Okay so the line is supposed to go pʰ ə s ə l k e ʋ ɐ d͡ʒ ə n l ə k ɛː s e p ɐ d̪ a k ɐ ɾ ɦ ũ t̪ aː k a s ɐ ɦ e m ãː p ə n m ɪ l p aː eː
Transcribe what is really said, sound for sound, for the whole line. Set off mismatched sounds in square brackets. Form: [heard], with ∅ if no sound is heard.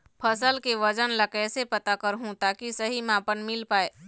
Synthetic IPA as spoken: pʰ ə s ə l k e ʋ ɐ d͡ʒ ə n l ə k ɛː s e p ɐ [t̪] a k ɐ ɾ ɦ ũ t̪ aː k [i] s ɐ ɦ [i] m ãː p ə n m ɪ l p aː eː

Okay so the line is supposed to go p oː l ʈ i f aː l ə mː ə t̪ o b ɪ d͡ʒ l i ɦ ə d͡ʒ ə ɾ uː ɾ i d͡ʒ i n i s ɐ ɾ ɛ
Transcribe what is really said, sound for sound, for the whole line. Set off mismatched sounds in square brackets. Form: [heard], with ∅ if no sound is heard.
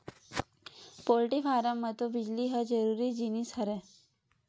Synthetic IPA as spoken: p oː l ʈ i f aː [ɾ] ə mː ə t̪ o b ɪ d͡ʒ l i ɦ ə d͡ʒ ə ɾ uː ɾ i d͡ʒ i n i s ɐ ɾ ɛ

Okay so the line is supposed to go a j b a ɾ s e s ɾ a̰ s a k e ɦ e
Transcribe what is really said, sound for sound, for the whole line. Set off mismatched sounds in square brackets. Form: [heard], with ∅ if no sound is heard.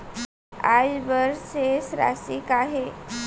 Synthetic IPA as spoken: a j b [ə] ɾ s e s ɾ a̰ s [i] k [a] ɦ e

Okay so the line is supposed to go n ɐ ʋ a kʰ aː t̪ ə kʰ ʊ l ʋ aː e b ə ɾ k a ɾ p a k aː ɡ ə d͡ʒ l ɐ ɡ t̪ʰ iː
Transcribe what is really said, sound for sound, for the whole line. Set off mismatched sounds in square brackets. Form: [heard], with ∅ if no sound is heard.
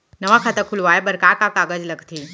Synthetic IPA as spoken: n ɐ ʋ a kʰ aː t̪ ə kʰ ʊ l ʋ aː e b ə ɾ k a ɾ [k] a k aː ɡ ə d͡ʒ l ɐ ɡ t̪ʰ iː

